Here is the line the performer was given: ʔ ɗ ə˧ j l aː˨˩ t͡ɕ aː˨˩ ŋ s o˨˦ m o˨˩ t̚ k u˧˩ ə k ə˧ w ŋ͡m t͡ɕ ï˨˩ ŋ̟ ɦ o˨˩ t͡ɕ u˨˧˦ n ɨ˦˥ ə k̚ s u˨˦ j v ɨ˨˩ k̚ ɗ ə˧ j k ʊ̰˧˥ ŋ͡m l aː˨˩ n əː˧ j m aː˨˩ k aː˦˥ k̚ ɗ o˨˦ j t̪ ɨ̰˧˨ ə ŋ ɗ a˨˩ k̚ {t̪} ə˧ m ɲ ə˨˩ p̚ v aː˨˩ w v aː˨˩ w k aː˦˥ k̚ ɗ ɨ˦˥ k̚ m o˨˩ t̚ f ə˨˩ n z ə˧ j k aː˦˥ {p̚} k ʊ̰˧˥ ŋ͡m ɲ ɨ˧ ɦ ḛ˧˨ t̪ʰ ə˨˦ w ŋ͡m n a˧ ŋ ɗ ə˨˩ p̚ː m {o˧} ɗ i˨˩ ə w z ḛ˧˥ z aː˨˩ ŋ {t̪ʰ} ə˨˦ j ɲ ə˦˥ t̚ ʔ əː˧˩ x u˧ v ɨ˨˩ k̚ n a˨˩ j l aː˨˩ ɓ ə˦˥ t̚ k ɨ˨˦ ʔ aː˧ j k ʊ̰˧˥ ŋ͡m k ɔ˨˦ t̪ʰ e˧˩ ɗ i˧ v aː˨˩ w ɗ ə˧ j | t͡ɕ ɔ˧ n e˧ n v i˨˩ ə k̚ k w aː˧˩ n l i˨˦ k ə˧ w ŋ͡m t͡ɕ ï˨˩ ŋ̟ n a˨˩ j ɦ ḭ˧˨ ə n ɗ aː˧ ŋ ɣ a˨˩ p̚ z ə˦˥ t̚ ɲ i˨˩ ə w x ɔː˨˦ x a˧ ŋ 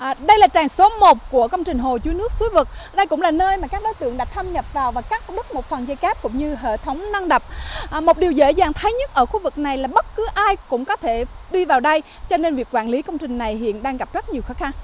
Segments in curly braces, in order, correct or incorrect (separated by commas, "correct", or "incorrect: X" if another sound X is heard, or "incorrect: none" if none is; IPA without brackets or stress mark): incorrect: t̪ʰ, correct, incorrect: o˨˩, correct